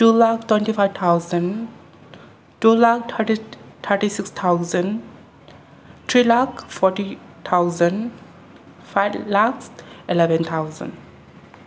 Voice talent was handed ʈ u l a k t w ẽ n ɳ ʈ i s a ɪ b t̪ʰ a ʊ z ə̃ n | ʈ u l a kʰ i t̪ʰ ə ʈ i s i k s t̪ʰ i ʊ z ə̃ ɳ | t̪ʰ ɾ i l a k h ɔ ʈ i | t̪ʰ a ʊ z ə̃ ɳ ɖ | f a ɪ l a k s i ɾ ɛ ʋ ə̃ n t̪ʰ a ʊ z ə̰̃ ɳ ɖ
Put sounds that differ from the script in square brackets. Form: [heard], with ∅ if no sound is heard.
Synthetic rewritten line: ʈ u l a k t w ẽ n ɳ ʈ i [f] a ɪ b t̪ʰ a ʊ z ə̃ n | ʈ u l a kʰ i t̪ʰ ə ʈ i s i k s t̪ʰ [a] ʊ z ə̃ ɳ | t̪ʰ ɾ i l a k [f] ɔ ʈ i | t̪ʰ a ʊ z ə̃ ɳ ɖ | f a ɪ l a k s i [l] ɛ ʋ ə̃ n t̪ʰ a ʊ z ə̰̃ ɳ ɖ